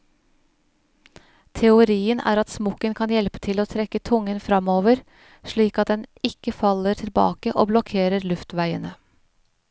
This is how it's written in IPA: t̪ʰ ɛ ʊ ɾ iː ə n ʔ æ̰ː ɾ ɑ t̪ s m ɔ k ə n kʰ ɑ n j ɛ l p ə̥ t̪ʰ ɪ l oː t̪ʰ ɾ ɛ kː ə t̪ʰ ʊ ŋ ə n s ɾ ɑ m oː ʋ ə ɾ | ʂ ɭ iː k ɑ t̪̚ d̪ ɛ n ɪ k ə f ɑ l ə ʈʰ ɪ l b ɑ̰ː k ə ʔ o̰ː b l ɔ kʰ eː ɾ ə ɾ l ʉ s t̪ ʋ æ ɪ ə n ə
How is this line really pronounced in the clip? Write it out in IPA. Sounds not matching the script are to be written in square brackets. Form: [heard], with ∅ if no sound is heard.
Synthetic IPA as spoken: t̪ʰ ɛ ʊ ɾ iː ə n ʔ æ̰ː ɾ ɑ t̪ s m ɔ k ə n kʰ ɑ n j ɛ l p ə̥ t̪ʰ ɪ l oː t̪ʰ ɾ ɛ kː ə t̪ʰ ʊ ŋ ə n [f] ɾ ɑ m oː ʋ ə ɾ | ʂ ɭ iː k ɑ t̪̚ d̪ ɛ n ɪ k ə f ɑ l ə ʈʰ ɪ l b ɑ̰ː k ə ʔ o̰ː b l ɔ kʰ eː ɾ ə ɾ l ʉ [f] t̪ ʋ æ ɪ ə n ə